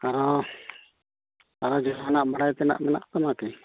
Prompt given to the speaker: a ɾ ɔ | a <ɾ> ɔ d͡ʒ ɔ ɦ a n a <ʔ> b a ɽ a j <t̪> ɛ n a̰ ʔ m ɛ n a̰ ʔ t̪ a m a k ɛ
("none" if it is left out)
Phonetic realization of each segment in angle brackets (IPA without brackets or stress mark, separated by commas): ɾ, ʔ, t̪